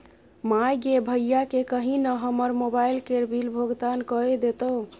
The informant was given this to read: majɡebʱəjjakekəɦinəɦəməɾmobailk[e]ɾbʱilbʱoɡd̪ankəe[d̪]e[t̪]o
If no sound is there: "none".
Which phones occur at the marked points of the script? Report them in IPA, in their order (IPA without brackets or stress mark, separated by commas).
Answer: e, d̪, t̪